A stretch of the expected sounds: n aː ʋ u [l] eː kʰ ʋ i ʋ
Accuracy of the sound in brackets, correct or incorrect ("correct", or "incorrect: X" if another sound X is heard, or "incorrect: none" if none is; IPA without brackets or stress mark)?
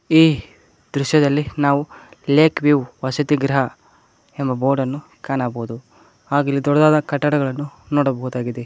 correct